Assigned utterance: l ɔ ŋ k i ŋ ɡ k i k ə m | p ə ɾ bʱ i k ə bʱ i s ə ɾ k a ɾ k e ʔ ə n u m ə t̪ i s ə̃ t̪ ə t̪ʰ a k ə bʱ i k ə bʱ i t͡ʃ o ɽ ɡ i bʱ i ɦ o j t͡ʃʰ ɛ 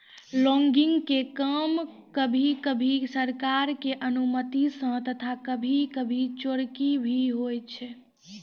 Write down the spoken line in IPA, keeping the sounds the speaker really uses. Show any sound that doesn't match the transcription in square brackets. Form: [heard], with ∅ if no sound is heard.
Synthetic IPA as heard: l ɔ ŋ [ɡ] i ŋ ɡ k [e] k ə m | [k] ə [∅] bʱ i k ə bʱ i s ə ɾ k a ɾ k e ʔ ə n u m ə t̪ i s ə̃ t̪ ə t̪ʰ a k ə bʱ i k ə bʱ i t͡ʃ o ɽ [k] i bʱ i ɦ o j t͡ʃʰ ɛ